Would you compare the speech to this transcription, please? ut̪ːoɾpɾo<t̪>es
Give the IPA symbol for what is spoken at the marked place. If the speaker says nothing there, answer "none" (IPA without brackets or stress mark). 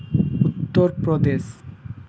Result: d̪